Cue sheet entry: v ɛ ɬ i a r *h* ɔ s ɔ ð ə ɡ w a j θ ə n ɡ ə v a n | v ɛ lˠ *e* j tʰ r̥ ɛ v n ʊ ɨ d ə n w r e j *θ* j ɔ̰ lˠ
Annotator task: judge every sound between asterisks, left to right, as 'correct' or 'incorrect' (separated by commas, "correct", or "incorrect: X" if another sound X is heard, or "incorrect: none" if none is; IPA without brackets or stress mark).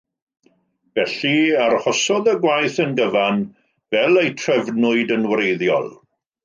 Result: correct, correct, incorrect: ð